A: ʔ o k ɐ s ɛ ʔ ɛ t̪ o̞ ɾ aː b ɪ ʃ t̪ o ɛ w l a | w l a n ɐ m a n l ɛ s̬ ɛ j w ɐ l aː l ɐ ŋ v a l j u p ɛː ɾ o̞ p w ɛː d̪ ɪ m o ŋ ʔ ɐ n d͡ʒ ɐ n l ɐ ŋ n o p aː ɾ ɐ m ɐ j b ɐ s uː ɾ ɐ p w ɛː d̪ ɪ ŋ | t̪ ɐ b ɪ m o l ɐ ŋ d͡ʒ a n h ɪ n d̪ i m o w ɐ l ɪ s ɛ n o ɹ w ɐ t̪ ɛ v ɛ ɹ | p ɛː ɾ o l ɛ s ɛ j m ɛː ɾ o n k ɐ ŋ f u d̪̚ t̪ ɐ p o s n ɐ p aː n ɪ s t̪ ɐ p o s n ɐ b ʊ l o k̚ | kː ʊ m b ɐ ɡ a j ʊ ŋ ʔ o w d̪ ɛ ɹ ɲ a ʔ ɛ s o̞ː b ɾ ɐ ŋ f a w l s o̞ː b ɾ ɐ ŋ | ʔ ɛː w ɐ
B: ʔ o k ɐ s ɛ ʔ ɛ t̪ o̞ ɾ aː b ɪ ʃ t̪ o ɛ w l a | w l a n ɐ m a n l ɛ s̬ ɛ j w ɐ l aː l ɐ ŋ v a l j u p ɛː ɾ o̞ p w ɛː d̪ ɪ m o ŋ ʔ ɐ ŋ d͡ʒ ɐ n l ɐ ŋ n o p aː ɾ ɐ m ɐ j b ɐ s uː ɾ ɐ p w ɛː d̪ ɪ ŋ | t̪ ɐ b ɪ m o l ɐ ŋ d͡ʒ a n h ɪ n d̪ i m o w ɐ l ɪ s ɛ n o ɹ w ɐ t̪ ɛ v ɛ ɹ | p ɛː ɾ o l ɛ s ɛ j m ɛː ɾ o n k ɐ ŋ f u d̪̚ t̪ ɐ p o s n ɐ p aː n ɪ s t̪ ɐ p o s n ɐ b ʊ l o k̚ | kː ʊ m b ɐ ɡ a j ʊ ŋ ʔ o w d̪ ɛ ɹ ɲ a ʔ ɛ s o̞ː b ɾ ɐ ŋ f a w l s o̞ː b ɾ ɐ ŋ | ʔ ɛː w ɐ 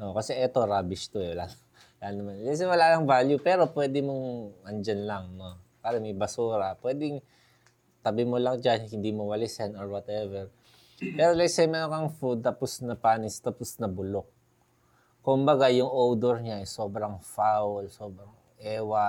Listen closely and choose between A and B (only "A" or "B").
A